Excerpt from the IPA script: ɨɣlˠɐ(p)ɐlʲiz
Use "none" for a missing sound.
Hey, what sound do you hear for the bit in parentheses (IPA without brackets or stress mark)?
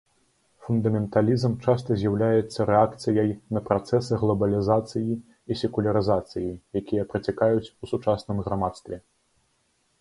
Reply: b